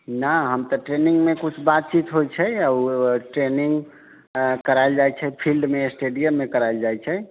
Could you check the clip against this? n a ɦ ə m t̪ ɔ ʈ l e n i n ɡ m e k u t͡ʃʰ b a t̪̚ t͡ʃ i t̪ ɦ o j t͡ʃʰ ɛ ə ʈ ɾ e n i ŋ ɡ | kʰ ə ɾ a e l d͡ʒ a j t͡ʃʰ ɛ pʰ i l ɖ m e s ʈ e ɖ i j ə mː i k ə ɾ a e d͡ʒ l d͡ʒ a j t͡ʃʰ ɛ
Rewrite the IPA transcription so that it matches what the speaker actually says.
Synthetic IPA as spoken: n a ɦ ə m t̪ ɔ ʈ ɾ e n i ŋ ɡ m e k u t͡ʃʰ b a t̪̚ t͡ʃ i t̪ ɦ o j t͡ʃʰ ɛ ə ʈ ɾ e n i ŋ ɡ | k ə ɾ a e l d͡ʒ a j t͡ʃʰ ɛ pʰ i l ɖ m e s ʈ e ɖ i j ə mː e k ə ɾ a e l d͡ʒ a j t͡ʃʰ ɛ